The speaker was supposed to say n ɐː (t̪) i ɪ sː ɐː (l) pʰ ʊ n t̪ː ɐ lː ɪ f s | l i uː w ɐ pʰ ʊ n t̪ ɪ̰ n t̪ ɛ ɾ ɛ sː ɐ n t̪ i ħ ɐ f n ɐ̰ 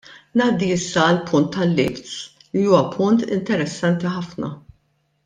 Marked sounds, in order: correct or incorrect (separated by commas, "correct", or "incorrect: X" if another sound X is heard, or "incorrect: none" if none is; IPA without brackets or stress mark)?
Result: incorrect: d̪, correct